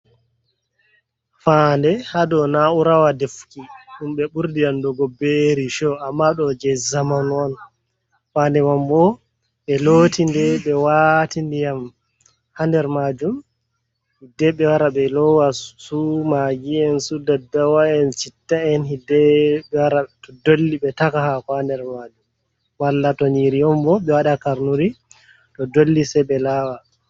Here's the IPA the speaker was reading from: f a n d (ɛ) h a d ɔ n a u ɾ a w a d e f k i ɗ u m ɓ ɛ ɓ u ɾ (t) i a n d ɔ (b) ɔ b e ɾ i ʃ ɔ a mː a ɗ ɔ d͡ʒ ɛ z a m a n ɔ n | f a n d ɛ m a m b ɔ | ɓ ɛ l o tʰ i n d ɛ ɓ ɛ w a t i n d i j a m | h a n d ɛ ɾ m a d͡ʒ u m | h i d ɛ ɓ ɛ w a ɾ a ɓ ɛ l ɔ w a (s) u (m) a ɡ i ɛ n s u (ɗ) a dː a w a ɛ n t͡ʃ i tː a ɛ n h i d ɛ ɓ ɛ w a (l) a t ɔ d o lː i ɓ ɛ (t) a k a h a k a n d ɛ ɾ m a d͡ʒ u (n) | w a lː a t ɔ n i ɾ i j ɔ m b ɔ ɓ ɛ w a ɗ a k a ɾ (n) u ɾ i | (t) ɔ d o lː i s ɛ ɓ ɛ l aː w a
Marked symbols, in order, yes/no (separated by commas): yes, no, no, yes, yes, no, no, yes, no, yes, yes